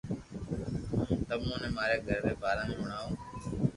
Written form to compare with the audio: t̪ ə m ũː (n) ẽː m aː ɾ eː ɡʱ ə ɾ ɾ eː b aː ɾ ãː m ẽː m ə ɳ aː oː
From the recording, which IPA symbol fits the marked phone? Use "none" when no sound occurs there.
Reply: n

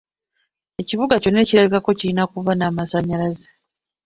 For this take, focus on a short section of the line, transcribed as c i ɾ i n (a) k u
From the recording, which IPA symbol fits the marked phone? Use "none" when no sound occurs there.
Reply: a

